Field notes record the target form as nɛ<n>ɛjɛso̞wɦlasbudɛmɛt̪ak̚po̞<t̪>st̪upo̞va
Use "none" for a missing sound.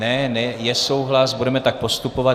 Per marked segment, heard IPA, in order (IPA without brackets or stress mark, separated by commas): n, none